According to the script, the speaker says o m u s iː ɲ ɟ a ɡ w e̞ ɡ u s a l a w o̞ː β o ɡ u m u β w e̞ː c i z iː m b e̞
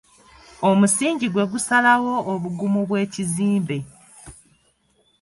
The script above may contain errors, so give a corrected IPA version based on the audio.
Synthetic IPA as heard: o m u s iː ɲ ɟ i ɡ w e̞ ɡ u s a l a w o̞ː β u ɡ u m u β w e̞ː c i z iː m b e̞